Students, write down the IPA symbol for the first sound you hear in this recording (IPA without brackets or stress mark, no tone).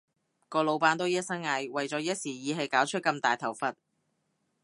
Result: k